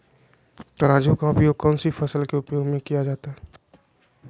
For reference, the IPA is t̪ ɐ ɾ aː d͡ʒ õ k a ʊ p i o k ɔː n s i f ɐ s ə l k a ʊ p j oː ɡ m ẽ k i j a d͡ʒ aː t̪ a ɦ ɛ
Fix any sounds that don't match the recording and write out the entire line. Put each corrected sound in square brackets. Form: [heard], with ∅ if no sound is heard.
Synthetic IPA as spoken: t̪ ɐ ɾ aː d͡ʒ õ k a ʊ p [j] o k ɔː n s i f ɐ s ə l k [e] ʊ p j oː ɡ m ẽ k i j a d͡ʒ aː t̪ a ɦ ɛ